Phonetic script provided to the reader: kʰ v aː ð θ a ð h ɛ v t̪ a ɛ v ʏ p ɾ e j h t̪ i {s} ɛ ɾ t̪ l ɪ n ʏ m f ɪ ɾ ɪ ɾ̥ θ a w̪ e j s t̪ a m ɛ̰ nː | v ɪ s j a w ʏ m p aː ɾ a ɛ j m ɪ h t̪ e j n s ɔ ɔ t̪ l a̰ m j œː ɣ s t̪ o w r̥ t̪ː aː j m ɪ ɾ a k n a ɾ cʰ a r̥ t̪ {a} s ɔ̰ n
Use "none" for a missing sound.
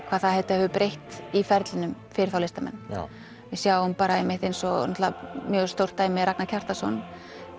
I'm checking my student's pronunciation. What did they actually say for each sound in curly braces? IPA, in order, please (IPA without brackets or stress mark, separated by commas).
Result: f, a